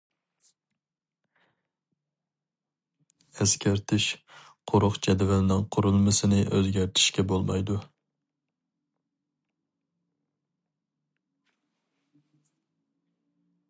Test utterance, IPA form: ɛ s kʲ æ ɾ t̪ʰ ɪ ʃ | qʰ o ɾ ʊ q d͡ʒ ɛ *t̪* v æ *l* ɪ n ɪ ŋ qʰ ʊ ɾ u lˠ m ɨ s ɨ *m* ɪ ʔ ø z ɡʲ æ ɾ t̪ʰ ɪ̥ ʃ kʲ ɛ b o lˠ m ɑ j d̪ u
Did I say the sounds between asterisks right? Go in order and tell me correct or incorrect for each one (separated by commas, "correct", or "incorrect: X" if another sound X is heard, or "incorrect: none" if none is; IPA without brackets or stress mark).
incorrect: d̪, correct, incorrect: n